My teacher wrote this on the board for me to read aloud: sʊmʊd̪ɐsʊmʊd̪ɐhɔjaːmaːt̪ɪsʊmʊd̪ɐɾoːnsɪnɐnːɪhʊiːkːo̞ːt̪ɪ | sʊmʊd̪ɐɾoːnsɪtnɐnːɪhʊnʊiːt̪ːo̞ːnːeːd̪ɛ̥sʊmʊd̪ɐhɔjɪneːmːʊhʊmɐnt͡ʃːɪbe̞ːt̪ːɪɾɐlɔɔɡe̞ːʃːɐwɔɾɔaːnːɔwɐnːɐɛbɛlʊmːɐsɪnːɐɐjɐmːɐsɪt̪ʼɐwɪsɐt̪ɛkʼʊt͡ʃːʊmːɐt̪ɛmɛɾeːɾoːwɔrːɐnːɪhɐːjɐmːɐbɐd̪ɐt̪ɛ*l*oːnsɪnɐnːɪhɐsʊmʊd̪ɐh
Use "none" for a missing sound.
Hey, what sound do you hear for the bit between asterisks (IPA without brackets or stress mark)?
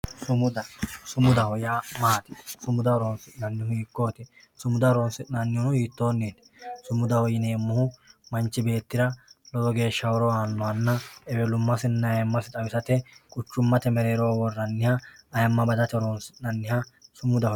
ɾ